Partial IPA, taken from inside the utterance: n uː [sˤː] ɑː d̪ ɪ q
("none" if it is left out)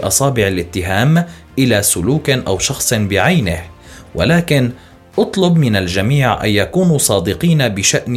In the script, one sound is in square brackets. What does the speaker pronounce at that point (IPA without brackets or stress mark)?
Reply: sˤ